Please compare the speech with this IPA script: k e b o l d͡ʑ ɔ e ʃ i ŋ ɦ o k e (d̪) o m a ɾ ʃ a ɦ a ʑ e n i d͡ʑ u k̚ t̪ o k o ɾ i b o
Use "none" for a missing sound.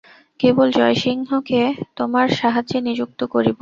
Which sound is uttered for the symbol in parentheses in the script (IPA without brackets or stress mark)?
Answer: t̪